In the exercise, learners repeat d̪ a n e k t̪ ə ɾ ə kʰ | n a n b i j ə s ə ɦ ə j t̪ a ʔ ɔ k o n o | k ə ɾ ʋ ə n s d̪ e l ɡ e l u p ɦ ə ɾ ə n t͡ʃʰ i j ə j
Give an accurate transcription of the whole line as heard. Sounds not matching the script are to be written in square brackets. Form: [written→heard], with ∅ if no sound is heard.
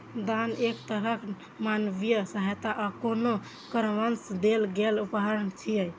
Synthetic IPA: d̪ a n e k t̪ ə ɾ ə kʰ | [n→m] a n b i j ə s ə ɦ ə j t̪ a ʔ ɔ k o n o | k ə ɾ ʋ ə n s d̪ e l ɡ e l u p ɦ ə ɾ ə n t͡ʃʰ i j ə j

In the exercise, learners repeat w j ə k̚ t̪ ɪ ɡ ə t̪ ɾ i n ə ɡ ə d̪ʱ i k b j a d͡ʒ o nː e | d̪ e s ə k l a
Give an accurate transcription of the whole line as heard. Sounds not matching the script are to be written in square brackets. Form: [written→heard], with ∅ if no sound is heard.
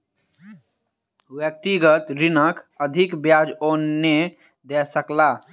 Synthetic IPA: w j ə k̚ t̪ [ɪ→i] ɡ ə t̪ ɾ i n ə [ɡ→k] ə d̪ʱ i k b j a d͡ʒ o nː e | d̪ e s ə k l a

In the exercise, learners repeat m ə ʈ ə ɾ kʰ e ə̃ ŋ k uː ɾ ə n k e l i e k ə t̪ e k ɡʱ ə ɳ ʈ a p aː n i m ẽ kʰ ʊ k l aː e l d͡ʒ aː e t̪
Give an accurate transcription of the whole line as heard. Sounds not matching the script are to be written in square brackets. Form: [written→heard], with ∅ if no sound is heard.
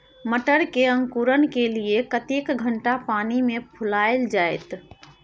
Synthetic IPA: m ə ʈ ə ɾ [kʰ→k] e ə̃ ŋ k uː ɾ ə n k e l i e k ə t̪ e k ɡʱ ə ɳ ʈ a p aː n i m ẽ [kʰ→pʰ] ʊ [k→∅] l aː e l d͡ʒ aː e t̪

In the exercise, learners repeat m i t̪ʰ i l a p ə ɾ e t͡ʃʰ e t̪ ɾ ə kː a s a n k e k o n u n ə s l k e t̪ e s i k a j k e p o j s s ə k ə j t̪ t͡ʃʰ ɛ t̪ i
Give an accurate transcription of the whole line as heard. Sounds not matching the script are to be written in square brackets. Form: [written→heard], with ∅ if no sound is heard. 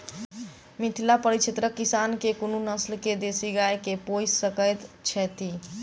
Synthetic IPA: m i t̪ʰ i l a p ə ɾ [e→i] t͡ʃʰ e t̪ ɾ ə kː [a→i] s a n k e k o n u n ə s l k e [t̪→d̪] e s i [k→ɡ] a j k e p o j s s ə k ə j t̪ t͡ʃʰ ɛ t̪ i

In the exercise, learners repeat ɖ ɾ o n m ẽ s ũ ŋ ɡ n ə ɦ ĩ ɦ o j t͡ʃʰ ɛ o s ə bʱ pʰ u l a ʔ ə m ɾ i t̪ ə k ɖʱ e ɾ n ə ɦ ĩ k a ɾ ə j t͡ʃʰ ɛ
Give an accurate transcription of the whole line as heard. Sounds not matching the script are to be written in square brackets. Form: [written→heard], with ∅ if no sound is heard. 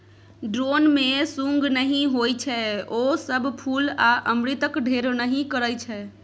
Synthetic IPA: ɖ ɾ o n m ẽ s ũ ŋ ɡ n ə ɦ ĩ ɦ o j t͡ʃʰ ɛ o s ə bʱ pʰ u l a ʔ ə m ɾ i t̪ ə k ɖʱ e ɾ n ə ɦ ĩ k [a→ə] ɾ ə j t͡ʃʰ ɛ

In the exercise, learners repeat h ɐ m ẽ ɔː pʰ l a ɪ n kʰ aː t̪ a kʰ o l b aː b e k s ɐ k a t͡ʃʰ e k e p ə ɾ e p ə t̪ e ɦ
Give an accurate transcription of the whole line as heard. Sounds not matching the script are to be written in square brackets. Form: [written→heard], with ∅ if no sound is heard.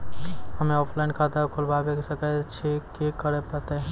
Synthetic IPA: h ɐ m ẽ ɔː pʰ l a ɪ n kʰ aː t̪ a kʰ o l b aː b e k s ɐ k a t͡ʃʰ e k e [p→k] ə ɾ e p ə t̪ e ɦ

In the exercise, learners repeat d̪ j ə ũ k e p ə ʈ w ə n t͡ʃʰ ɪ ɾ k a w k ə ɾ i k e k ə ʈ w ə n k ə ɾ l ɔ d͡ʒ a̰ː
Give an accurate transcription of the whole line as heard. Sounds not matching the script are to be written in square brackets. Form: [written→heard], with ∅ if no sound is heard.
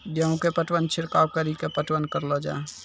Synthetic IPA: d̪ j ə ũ k e p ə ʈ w ə n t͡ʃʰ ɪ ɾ k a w k ə ɾ i k e [k→p] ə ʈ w ə n k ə ɾ l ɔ d͡ʒ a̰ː

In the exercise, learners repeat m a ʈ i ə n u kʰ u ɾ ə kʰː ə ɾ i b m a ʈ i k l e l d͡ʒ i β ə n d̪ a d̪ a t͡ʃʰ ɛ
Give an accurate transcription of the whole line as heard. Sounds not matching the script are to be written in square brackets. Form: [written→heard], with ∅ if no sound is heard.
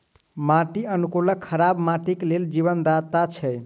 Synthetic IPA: m a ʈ i ə n u [kʰ→k] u [ɾ→l] ə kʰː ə ɾ [i→a] b m a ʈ i k l e l d͡ʒ i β ə n d̪ a [d̪→t̪] a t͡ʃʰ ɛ

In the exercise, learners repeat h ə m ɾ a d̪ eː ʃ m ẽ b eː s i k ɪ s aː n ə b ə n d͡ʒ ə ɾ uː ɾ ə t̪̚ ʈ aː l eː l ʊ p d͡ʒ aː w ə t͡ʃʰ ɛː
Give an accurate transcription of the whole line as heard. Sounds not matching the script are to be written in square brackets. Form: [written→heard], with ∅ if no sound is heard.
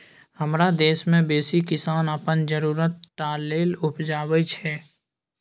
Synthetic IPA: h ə m ɾ a d̪ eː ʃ m ẽ b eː s i k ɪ s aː n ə [b→p] ə n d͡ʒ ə ɾ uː ɾ ə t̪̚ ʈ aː l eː l ʊ p d͡ʒ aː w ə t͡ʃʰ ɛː

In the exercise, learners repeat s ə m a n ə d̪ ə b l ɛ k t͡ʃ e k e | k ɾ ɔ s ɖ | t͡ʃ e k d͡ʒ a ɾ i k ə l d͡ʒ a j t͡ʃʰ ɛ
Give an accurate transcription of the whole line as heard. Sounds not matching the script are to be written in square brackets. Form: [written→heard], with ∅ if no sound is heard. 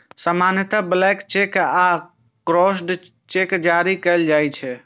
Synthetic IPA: s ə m a n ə [d̪→t̪] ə b l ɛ k t͡ʃ e k [e→a] | k ɾ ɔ s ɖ | t͡ʃ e k d͡ʒ a ɾ i k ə l d͡ʒ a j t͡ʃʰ ɛ

